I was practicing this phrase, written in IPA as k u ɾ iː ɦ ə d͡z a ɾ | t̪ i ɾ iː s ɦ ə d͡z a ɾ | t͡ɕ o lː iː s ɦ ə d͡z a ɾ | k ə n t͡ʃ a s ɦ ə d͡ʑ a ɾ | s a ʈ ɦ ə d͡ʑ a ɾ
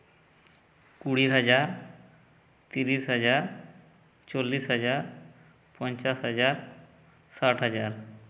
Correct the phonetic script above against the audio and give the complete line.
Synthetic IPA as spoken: k u ɽ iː ɦ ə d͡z a ɾ | t̪ i ɾ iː s ɦ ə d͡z a ɾ | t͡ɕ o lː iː s ɦ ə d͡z a ɾ | p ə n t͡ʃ a s ɦ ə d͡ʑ a ɾ | s a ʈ ɦ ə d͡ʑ a ɾ